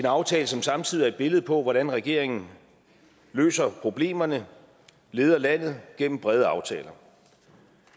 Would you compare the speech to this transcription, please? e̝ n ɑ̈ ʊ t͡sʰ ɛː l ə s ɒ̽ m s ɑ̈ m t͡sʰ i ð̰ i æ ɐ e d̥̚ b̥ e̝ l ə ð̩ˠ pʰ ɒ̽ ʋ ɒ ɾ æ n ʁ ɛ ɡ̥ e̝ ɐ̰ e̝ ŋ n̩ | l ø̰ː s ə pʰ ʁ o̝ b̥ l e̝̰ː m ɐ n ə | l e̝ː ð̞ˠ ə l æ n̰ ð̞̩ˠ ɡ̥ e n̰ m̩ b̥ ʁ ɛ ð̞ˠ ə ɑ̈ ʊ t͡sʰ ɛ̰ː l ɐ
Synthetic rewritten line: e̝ n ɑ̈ ʊ t͡sʰ ɛː l ə s ɒ̽ m s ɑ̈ m t͡sʰ i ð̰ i æ ɐ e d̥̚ b̥ e̝ l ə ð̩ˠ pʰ ɒ̽ ʋ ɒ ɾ æ n ʁ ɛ ɡ̥ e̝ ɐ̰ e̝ ŋ n̩ | l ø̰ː s ɐ pʰ ʁ o̝ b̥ l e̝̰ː m ɐ n ə | l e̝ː ð̞ˠ ɐ l æ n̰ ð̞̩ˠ ɡ̥ e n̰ m̩ b̥ ʁ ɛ ð̞ˠ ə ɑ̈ ʊ t͡sʰ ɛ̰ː l ɐ